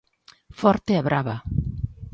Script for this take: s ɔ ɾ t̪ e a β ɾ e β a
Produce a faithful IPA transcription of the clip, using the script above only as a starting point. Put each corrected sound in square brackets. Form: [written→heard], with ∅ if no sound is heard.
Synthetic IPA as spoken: [s→f] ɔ ɾ t̪ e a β ɾ [e→a] β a

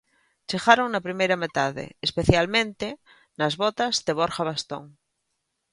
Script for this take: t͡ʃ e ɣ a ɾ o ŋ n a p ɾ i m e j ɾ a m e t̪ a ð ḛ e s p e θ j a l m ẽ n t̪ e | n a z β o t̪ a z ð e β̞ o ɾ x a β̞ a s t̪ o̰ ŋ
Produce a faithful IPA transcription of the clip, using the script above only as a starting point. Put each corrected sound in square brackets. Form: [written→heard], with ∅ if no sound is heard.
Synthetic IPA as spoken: t͡ʃ e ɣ a ɾ o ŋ n a p ɾ i m e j ɾ a m e t̪ a ð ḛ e s p e θ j a l m ẽ n t̪ e | n a z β o t̪ a z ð e β̞ o ɾ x a β̞ a s t̪ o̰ ŋ

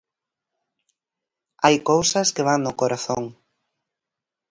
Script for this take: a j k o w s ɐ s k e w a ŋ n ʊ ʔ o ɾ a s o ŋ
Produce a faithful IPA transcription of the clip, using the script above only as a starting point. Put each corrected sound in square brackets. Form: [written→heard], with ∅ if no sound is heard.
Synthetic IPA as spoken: a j k o w s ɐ s k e [w→β] a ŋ n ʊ [ʔ→k] o ɾ a [s→θ] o ŋ

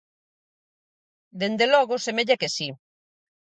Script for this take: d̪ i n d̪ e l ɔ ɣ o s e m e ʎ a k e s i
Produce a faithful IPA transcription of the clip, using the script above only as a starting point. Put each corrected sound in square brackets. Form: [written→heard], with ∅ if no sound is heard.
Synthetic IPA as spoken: d̪ [i→e] n d̪ e l ɔ ɣ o s e m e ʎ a k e s i

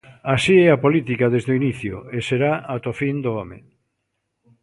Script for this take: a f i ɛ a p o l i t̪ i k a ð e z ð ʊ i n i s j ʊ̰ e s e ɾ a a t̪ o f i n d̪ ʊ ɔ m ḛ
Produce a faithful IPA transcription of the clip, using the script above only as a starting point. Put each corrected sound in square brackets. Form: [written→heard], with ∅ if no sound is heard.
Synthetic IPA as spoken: a [f→s] i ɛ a p o l i t̪ i k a ð e z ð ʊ i n i [s→θ] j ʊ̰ e s e ɾ a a t̪ o f i n d̪ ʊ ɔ m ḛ

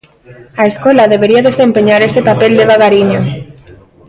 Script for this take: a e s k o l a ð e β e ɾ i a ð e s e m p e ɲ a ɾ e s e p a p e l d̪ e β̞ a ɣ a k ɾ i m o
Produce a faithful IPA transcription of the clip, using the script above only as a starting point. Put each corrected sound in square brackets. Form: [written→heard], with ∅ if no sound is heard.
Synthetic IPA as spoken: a e s k o l a ð e β e ɾ i a ð e s e m p e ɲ a ɾ e s e p a p e l d̪ e β̞ a ɣ a [k→∅] ɾ i [m→ɲ] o

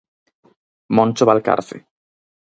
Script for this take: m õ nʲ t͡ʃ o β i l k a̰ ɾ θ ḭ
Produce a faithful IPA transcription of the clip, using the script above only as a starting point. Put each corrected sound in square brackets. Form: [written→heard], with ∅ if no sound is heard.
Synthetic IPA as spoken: m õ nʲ t͡ʃ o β [i→a] l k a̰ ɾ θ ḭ

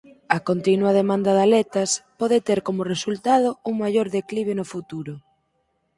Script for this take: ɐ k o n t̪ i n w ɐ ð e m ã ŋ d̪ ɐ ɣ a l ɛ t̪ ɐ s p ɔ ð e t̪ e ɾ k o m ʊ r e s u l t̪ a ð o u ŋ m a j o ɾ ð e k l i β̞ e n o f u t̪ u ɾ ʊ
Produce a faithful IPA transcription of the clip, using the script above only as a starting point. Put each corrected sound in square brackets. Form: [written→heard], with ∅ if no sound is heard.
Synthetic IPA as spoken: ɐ k o n t̪ i n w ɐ ð e m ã [ŋ→n] d̪ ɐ [ɣ→ð] a l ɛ t̪ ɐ s p ɔ ð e t̪ e ɾ k o m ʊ r e s u l t̪ a ð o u ŋ m a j o ɾ ð e k l i β̞ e n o f u t̪ u ɾ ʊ

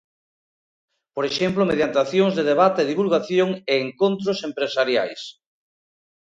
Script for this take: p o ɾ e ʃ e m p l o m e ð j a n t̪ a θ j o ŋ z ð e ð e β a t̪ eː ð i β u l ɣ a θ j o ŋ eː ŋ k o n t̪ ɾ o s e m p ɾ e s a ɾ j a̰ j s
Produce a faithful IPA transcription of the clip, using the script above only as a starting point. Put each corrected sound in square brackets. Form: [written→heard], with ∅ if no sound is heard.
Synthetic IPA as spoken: p o ɾ e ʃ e m p l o m e ð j a n t̪ a θ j o ŋ z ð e ð e β a t̪ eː ð i β u l ɣ a θ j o ŋ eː ŋ k o n t̪ ɾ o s e m p ɾ e s a ɾ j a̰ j s

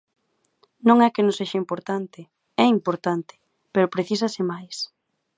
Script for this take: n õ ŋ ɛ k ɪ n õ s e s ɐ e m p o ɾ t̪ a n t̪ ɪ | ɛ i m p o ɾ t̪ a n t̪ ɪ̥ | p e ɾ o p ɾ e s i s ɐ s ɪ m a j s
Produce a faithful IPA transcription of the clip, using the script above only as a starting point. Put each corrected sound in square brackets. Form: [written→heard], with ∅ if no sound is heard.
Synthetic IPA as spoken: n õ ŋ ɛ k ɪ n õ s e [s→ʃ] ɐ [e→i] m p o ɾ t̪ a n t̪ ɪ | ɛ i m p o ɾ t̪ a n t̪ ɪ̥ | p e ɾ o p ɾ e [s→θ] i s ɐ s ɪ m a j s

